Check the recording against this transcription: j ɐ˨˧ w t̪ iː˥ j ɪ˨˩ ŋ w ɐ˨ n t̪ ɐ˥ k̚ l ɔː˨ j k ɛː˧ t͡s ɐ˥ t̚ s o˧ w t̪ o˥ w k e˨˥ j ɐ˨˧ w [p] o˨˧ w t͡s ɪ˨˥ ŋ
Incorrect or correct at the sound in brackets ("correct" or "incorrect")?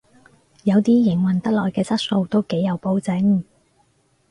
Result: correct